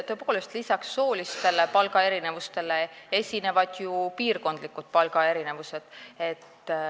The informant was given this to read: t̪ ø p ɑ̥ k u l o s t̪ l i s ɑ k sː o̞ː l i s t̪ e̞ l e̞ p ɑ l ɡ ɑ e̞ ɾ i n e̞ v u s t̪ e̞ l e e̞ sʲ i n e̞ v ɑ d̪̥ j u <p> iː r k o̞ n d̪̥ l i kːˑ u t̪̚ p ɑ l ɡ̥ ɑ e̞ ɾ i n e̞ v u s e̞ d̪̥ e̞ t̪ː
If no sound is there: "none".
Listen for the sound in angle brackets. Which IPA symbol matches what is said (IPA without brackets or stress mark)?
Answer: p